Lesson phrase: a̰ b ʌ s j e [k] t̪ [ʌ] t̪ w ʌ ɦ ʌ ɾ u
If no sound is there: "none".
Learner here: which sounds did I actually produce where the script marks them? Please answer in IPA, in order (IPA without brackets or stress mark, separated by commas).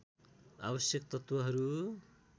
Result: k, ʌ